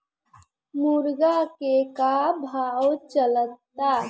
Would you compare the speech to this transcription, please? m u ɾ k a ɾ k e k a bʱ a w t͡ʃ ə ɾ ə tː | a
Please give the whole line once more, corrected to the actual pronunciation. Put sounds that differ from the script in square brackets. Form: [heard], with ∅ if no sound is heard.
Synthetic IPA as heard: m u ɾ [ɡ] a [∅] k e k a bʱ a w t͡ʃ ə [l] ə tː | a